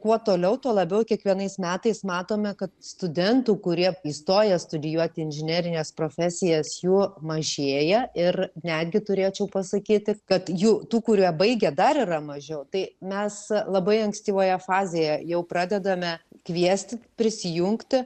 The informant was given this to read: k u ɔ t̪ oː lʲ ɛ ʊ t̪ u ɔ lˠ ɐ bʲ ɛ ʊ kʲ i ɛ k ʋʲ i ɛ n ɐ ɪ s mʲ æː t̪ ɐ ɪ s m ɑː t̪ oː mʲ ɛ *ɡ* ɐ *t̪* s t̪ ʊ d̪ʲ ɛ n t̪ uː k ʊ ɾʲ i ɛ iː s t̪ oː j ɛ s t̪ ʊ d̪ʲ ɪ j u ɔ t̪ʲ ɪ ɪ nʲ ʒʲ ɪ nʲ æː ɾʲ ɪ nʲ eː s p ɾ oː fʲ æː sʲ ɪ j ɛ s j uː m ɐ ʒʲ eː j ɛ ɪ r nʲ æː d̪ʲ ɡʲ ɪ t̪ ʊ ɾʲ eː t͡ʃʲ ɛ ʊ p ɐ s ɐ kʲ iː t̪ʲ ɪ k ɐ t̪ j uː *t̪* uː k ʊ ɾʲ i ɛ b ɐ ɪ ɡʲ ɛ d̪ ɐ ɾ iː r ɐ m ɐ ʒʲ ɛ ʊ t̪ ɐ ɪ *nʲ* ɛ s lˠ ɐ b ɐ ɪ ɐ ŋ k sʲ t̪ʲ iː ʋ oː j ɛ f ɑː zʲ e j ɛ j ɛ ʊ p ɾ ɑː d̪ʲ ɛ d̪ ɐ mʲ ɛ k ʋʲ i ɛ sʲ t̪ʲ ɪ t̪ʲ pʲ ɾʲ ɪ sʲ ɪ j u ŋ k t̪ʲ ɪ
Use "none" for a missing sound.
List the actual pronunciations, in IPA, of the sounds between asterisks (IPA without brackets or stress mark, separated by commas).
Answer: k, t̪, t̪, mʲ